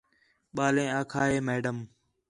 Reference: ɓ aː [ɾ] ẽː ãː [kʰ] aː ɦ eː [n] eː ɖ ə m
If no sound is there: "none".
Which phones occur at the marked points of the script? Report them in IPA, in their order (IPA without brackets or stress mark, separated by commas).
l, kʰ, m